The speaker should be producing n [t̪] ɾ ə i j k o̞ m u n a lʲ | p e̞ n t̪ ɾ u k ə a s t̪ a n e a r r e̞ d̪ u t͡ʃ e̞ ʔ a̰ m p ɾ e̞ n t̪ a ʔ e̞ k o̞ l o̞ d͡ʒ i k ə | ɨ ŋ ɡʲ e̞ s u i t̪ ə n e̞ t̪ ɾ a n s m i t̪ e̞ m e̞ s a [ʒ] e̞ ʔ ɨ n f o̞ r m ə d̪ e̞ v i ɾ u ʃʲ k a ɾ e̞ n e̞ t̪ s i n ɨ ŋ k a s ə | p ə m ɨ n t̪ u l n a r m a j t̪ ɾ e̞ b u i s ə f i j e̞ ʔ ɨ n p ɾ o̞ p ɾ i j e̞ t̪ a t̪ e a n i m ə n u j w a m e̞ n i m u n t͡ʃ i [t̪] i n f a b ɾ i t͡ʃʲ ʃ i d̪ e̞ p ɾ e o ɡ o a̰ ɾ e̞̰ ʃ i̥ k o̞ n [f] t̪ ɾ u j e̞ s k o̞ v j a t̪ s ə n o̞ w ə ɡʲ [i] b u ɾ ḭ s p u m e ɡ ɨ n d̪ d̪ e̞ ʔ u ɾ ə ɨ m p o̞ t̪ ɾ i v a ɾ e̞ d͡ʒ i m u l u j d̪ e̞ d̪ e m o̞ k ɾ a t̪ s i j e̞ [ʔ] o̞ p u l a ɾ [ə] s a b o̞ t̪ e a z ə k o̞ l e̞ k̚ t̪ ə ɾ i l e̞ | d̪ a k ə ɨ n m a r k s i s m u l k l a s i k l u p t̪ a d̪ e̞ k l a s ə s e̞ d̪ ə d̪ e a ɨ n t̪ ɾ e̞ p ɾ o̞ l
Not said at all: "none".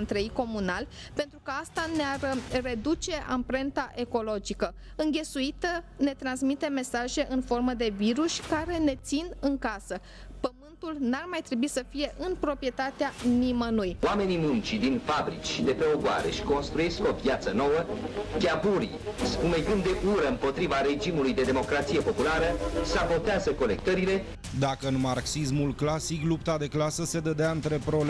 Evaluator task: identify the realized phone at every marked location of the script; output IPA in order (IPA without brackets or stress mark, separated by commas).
t̪, ʒ, d̪, s, a, p, ə